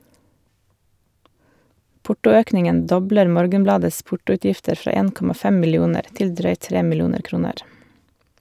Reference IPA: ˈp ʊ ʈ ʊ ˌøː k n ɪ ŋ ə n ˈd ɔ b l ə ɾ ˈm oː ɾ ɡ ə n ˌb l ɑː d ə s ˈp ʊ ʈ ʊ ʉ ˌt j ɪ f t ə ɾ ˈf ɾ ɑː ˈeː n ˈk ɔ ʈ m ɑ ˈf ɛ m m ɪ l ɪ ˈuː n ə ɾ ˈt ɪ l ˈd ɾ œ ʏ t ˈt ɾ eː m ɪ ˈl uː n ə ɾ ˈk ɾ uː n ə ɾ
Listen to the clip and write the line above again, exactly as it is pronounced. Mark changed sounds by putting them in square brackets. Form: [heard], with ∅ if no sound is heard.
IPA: ˈp ʊ ʈ ʊ ˌøː k n ɪ ŋ ə n ˈd ɔ b l ə ɾ ˈm oː ɾ ɡ ə n ˌb l ɑː d ə s ˈp ʊ ʈ ʊ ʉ ˌt j ɪ f t ə ɾ ˈf ɾ ɑː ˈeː n ˈk ɔ [∅] m ɑ ˈf ɛ m m ɪ l ɪ ˈuː n ə ɾ ˈt ɪ l ˈd ɾ œ ʏ t ˈt ɾ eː m ɪ ˈl uː n ə ɾ ˈk ɾ uː n ə ɾ